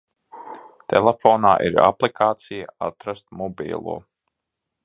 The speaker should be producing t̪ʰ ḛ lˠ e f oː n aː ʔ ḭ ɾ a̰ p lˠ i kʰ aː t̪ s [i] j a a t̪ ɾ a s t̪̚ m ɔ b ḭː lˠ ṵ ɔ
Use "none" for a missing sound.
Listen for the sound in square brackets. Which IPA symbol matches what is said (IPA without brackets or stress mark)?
i